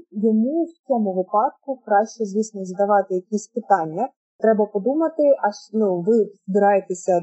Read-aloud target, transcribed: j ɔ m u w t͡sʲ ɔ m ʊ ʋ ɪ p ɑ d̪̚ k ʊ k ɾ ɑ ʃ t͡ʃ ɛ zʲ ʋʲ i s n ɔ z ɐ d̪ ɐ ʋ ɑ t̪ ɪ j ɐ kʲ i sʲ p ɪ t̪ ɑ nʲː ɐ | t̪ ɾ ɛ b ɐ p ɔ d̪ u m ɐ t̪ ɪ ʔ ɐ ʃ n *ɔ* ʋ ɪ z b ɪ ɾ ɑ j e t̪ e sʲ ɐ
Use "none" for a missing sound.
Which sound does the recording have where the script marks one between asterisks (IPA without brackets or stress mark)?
u